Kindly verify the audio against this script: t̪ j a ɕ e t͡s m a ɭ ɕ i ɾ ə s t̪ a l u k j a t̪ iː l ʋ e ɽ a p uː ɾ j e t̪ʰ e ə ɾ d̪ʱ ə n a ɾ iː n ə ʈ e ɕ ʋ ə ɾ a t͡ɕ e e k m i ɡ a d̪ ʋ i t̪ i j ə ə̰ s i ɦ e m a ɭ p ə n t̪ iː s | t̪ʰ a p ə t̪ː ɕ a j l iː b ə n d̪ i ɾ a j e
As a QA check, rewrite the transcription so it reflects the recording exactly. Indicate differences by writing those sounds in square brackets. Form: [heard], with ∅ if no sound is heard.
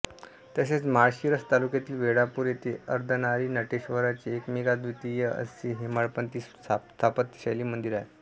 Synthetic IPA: t̪ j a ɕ e t͡s m a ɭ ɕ i ɾ ə s t̪ a l u k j a t̪ iː l ʋ e ɽ a p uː ɾ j e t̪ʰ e ə ɾ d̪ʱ ə n a ɾ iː n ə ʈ e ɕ ʋ ə ɾ a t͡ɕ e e k m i ɡ a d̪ ʋ i t̪ i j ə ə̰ s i ɦ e m a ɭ p ə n t̪ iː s | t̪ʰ a p ə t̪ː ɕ a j l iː [m] ə n d̪ i ɾ a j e